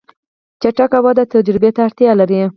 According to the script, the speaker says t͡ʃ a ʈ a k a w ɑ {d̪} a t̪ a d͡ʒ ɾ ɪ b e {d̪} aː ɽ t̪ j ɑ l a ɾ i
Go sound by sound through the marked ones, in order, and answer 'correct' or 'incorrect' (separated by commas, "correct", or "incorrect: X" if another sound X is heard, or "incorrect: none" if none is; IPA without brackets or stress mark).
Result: correct, incorrect: t̪